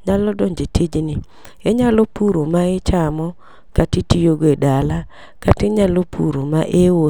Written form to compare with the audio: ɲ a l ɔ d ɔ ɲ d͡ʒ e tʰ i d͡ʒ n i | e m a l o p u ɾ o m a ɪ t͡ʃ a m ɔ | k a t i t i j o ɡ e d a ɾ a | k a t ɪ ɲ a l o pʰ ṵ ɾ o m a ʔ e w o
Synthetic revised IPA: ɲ a l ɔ d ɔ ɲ d͡ʒ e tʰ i d͡ʒ n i | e ɲ a l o p u ɾ o m a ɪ t͡ʃ a m ɔ | k a t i t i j o ɡ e d a l a | k a t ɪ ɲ a l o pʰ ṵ ɾ o m a ʔ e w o